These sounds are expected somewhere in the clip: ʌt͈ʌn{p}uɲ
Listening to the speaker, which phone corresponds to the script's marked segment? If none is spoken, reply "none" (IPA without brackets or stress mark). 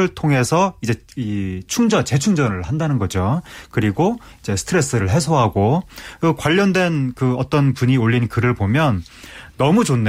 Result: p